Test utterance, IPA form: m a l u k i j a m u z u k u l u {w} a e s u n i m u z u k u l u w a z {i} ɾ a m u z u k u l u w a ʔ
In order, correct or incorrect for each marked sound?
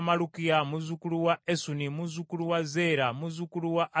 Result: correct, incorrect: e

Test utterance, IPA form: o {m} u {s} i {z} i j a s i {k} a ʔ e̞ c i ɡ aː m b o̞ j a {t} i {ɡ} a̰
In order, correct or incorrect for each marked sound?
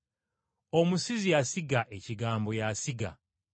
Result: correct, correct, correct, incorrect: ɡ, incorrect: s, correct

